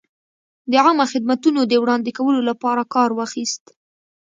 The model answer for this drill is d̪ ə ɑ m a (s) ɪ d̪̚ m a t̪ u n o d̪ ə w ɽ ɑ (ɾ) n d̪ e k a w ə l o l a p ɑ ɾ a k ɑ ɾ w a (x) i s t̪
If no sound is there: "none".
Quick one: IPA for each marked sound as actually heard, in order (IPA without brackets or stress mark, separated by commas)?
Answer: x, none, x